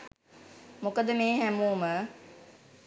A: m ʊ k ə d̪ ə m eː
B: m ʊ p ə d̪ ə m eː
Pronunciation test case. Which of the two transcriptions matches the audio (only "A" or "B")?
A